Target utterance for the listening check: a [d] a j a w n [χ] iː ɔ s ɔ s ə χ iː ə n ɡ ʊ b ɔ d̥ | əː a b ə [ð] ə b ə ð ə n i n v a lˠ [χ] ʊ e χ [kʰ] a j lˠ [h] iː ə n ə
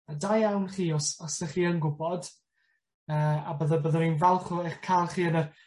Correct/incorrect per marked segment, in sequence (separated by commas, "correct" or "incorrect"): correct, correct, correct, correct, correct, incorrect